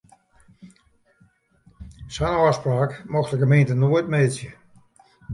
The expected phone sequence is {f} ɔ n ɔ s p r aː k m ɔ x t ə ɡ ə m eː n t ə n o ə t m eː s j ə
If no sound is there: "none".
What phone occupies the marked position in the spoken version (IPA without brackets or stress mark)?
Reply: s